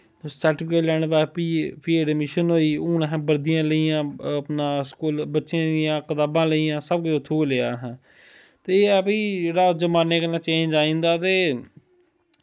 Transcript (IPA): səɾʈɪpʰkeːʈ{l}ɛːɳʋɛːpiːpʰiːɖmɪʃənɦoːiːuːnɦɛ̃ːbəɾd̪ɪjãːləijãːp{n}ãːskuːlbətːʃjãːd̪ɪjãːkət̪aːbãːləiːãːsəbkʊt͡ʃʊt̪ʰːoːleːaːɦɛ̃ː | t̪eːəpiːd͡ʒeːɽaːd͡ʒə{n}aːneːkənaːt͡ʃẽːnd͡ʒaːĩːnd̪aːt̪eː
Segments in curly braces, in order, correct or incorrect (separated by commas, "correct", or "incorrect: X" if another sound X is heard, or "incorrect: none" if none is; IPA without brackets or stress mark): correct, correct, incorrect: m